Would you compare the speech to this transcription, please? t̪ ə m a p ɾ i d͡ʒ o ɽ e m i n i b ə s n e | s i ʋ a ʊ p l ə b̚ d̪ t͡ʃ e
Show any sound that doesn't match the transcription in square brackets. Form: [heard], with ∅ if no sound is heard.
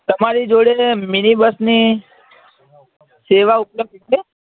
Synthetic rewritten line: t̪ ə m a [∅] ɾ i d͡ʒ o ɽ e m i n i b ə s n [i] | s [e] ʋ a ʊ p l ə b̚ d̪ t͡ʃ e